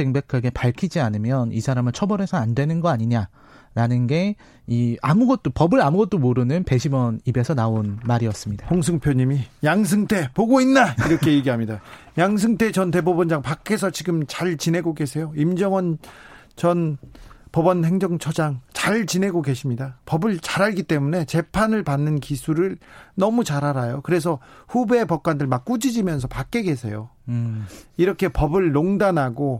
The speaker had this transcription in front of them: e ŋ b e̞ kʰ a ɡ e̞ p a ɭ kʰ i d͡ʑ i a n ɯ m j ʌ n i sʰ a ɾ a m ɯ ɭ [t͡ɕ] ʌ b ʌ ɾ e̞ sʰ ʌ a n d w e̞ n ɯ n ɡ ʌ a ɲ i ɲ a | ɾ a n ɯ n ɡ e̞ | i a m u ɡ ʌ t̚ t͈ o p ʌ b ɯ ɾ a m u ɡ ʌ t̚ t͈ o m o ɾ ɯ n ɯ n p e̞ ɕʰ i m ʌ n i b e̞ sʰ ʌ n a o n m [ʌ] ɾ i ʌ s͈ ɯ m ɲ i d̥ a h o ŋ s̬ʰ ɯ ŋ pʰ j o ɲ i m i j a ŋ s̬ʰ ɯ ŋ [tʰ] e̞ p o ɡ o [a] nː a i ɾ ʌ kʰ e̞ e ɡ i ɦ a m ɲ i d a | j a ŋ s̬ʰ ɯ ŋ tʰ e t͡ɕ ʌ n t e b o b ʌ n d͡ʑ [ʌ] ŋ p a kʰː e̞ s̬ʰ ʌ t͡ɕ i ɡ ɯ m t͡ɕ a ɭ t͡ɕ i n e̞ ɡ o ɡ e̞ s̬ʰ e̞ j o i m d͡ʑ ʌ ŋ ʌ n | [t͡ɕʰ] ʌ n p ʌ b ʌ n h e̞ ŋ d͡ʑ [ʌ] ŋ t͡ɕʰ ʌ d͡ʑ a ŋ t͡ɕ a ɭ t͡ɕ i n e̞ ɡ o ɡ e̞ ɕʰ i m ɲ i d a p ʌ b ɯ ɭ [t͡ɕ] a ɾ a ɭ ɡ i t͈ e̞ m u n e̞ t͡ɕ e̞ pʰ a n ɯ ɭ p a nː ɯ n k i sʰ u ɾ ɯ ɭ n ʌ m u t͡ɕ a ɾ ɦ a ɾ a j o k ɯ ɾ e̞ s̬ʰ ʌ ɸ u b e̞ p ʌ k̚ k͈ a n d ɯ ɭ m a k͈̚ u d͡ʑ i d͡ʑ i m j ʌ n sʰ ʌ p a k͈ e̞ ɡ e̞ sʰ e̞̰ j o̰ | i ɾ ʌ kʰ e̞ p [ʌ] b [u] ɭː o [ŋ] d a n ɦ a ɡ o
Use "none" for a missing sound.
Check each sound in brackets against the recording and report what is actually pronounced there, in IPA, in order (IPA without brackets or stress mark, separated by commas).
t͡ɕʰ, a, tʰ, i, a, t͡ɕ, ʌ, t͡ɕ, ʌ, ɯ, ŋ